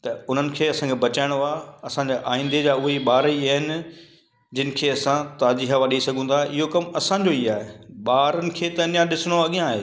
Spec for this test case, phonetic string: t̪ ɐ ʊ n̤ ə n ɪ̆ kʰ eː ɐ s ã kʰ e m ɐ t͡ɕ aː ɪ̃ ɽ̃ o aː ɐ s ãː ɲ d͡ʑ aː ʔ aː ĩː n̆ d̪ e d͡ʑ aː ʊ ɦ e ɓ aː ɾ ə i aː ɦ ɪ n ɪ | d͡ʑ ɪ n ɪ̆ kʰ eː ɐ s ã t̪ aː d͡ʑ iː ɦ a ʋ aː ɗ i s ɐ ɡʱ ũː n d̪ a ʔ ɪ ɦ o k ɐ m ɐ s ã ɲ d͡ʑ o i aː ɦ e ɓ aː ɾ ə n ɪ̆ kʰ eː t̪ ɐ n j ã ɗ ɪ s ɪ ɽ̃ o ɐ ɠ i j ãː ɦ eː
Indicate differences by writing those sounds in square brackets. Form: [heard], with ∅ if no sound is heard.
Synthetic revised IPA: t̪ ɐ ʊ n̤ ə n ɪ̆ kʰ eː ɐ s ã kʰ e [b] ɐ t͡ɕ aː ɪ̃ ɽ̃ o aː ɐ s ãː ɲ d͡ʑ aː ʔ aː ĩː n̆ d̪ e d͡ʑ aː ʊ ɦ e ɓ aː ɾ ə i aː ɦ ɪ n ɪ | d͡ʑ ɪ n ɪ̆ kʰ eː ɐ s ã t̪ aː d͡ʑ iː ɦ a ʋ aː ɗ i s ɐ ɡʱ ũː n d̪ a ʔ ɪ ɦ o k ɐ m ɐ s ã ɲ d͡ʑ o i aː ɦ e ɓ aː ɾ ə n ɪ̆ kʰ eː t̪ ɐ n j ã ɗ ɪ s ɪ ɽ̃ o ɐ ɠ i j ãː ɦ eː